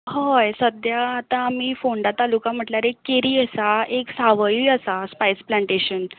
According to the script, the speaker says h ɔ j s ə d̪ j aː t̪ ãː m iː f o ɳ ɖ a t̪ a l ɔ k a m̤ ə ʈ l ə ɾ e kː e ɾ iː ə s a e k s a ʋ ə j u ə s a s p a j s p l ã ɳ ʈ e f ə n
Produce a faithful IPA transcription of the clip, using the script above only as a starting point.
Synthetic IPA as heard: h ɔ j s ə d̪ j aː t̪ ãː m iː f o ɳ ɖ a t̪ a l u k a m̤ ə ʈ l a ɾ e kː e ɾ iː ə s a e k s a ʋ ə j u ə s a s p a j s p l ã ɳ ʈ e ɕ ə n